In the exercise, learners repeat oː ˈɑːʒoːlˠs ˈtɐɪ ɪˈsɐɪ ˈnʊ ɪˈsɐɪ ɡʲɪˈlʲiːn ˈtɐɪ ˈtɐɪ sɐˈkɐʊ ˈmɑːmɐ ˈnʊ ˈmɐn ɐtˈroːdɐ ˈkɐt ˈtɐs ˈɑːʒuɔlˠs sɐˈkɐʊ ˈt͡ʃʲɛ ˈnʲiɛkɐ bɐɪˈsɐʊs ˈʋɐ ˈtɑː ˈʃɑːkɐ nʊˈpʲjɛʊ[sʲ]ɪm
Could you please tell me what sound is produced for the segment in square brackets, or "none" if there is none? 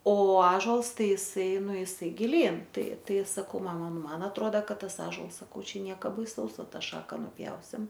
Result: sʲ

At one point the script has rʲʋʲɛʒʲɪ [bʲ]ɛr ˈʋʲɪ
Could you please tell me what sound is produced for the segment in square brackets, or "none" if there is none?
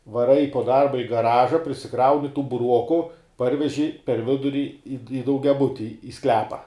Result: pʲ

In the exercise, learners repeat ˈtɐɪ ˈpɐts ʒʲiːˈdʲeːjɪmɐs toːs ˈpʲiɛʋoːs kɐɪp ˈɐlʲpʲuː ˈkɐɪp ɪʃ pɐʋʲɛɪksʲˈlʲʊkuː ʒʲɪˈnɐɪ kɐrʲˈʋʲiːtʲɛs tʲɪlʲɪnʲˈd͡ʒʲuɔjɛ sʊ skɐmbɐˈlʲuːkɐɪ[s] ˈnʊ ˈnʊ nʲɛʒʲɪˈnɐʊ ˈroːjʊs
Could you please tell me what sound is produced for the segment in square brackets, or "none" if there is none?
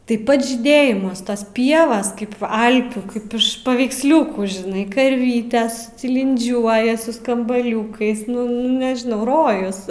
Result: s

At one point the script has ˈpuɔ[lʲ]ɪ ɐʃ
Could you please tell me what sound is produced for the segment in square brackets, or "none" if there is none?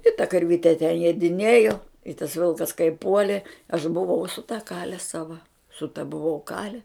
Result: lʲ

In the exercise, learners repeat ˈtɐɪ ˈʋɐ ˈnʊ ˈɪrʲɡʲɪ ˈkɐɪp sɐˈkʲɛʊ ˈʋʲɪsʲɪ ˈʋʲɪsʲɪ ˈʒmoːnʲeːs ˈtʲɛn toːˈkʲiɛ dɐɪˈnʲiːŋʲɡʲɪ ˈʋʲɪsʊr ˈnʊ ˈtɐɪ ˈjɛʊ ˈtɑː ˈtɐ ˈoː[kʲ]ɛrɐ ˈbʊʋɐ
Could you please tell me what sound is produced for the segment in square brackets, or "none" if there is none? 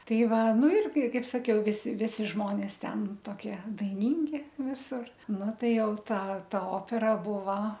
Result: pʲ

